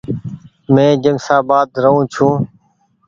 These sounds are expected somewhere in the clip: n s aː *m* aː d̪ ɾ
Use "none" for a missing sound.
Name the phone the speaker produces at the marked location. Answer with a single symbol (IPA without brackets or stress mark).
b